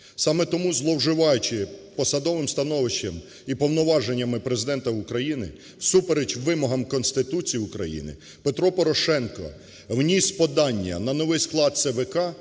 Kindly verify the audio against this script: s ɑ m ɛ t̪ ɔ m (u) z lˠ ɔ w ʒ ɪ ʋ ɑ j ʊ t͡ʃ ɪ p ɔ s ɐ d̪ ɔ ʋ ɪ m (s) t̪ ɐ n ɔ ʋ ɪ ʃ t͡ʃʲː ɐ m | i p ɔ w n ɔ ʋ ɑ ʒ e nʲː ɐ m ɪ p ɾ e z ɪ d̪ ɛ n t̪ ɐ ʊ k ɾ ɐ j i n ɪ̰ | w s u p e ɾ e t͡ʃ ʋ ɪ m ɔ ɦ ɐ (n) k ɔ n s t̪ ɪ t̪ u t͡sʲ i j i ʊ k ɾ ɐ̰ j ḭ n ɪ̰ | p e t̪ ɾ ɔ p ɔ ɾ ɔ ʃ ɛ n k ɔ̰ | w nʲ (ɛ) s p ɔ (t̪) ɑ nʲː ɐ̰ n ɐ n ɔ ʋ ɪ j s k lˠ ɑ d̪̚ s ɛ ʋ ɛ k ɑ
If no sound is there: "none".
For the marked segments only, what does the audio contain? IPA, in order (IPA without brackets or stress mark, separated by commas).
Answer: u, s, m, i, d̪